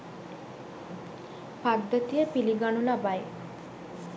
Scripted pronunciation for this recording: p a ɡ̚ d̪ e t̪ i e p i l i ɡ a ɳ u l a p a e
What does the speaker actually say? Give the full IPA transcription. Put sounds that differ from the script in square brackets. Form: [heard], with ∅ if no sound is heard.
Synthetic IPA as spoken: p a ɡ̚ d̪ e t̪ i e p i l i ɡ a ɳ u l a [b] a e